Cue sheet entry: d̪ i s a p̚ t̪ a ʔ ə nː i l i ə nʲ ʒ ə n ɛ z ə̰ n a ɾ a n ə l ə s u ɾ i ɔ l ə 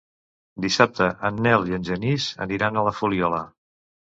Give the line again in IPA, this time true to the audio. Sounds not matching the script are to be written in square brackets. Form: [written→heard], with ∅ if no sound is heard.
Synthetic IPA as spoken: d̪ i s a p̚ t̪ [a→ə] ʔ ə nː [i→ɛ] l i ə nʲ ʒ ə n [ɛ→i] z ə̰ n [a→i] ɾ a n ə l ə [s→f] u [ɾ→l] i ɔ l ə